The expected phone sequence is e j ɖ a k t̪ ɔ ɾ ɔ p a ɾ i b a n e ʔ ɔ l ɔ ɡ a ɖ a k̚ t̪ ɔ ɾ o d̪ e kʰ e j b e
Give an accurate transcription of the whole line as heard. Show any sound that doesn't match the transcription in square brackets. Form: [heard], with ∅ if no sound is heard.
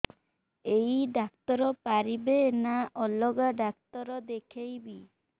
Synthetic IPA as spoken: e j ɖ a k t̪ ɔ ɾ ɔ p a ɾ i b [e] n [a] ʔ ɔ l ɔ ɡ a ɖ a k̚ t̪ ɔ ɾ [ɔ] d̪ e kʰ e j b [i]